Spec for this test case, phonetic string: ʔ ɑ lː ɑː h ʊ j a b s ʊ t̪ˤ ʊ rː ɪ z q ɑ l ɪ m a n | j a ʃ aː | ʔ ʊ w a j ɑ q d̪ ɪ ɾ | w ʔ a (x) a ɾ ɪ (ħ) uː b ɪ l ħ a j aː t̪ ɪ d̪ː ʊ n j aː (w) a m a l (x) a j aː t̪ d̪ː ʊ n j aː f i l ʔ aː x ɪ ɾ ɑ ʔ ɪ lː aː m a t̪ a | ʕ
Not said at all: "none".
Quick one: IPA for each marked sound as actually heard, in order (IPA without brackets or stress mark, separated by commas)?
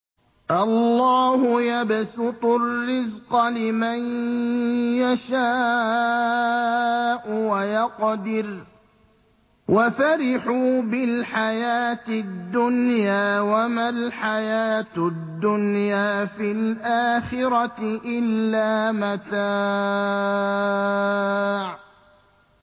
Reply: f, ħ, w, ħ